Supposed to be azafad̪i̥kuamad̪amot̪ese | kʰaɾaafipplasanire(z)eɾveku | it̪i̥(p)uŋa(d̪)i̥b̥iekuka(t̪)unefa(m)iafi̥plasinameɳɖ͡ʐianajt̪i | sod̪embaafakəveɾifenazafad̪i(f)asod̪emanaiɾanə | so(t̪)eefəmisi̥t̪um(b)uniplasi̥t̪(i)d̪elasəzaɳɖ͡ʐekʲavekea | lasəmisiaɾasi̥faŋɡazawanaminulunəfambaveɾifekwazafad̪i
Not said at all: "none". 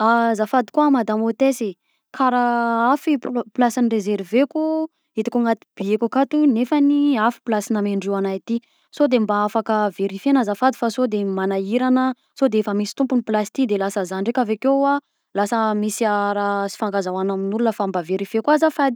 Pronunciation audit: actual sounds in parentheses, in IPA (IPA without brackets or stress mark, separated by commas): z, k, t̪, t̪, n, f, d̪, p, i